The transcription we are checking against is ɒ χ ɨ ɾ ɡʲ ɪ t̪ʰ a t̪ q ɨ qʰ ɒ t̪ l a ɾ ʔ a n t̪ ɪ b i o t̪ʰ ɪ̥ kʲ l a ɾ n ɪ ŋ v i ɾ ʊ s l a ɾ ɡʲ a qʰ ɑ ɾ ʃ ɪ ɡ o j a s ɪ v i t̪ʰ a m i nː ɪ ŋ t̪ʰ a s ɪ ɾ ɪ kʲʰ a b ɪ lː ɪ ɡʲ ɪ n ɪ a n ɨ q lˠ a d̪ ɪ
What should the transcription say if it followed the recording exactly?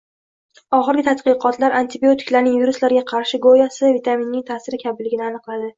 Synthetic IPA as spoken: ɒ χ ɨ ɾ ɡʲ ɪ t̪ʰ a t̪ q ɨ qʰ ɒ t̪ l a ɾ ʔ a n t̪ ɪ b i o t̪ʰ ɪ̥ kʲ l a ɾ n ɪ ŋ v i ɾ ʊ s l a ɾ ɡʲ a qʰ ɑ ɾ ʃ ɪ ɡ o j a s ɪ v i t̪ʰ a m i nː ɪ ŋ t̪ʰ a s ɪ ɾ ɪ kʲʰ a b ɪ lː ɪ ɡʲ ɪ n ɪ a n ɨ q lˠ a d̪ ɪ